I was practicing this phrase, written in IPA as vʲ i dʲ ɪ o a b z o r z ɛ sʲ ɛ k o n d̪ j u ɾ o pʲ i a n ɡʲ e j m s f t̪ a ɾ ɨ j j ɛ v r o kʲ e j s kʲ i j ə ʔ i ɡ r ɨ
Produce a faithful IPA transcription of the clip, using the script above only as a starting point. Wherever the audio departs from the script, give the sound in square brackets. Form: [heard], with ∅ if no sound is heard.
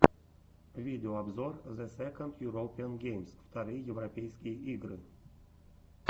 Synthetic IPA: vʲ i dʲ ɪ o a b z o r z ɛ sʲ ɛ k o n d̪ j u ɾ o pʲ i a n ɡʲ e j m s f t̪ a ɾ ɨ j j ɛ v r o [pʲ] e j s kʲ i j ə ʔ i ɡ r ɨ